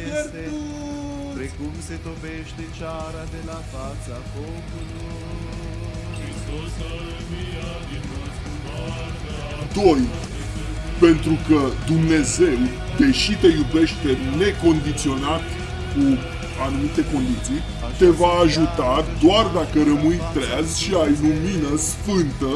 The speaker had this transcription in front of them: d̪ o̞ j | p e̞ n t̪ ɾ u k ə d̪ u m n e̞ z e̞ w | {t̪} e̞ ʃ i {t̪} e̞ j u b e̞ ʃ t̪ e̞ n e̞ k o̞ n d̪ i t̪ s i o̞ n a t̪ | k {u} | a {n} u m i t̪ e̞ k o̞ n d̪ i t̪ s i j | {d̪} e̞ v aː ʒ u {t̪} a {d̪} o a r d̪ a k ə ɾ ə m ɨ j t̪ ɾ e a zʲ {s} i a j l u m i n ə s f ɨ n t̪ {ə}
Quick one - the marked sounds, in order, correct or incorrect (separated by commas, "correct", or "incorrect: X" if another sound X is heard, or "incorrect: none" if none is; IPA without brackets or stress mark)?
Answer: incorrect: d̪, correct, correct, correct, incorrect: t̪, correct, correct, incorrect: ʃ, correct